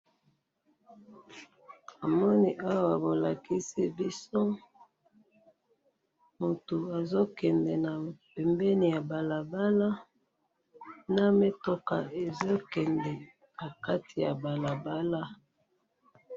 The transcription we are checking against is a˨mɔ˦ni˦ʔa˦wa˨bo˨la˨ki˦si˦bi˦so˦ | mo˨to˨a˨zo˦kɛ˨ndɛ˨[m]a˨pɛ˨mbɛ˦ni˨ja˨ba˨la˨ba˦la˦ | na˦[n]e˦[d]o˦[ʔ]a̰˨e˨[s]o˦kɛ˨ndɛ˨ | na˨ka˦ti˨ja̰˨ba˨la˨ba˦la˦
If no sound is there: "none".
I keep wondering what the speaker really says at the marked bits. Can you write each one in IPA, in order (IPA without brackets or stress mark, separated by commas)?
n, m, t, k, z